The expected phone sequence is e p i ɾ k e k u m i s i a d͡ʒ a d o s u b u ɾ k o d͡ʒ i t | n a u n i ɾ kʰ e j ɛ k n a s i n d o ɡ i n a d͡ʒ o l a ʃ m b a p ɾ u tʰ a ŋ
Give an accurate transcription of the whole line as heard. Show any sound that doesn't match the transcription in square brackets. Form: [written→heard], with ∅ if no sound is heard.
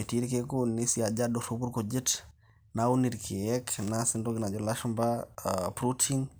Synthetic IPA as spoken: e [p→t] i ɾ k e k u [m→n] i s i a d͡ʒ a d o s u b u ɾ k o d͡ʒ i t | n a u n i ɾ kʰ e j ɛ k n a s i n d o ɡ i n a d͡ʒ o l a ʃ m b a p ɾ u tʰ [a→i] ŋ